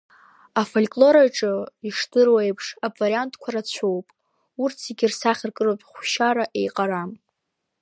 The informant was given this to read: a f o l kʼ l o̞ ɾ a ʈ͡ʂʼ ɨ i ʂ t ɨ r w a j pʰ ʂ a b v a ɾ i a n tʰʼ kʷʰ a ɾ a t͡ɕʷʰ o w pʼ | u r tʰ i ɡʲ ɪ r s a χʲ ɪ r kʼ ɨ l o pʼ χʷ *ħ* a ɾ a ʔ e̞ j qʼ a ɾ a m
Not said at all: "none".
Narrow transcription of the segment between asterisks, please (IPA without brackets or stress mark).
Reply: ʃ